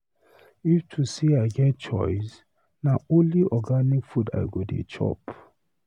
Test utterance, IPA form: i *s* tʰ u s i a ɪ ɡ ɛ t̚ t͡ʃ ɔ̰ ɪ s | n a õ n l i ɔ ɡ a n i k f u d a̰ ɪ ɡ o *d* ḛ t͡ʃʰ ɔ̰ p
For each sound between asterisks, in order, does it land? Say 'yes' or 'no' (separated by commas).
no, yes